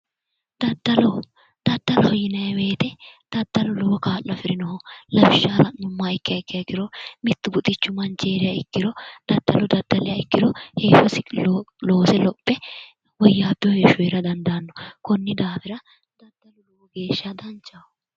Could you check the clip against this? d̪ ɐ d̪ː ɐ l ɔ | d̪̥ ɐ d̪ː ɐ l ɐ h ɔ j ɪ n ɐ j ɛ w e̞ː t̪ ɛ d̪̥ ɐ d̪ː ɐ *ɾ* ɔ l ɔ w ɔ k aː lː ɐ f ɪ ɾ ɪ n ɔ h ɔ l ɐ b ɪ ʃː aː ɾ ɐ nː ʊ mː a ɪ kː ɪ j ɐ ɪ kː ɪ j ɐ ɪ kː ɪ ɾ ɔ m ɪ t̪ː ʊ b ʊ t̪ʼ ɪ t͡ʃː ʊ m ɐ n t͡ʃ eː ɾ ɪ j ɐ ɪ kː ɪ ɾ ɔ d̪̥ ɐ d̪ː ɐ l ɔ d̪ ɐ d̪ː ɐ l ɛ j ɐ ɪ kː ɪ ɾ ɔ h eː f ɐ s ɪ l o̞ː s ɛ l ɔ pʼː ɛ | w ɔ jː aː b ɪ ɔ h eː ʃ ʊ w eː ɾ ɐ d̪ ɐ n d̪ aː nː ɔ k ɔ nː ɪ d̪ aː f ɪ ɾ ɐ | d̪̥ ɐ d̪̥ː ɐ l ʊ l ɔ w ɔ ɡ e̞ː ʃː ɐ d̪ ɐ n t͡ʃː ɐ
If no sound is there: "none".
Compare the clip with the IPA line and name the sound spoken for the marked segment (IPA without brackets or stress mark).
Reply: l